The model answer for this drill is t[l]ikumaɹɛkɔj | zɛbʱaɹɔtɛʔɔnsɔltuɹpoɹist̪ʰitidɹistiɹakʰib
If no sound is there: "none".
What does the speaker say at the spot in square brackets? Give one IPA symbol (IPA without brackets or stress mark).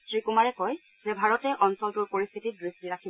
ɹ